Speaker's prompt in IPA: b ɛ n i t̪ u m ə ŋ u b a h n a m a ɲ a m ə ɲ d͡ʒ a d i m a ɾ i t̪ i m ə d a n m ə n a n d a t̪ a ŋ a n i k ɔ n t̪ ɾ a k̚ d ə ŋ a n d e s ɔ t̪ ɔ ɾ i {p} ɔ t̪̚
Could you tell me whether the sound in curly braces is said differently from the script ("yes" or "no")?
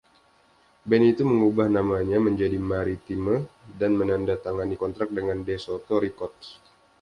yes